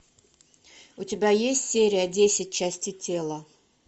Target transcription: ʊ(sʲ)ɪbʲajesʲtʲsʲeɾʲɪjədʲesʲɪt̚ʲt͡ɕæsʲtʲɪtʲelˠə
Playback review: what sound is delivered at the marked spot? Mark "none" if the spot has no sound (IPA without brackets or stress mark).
tʲ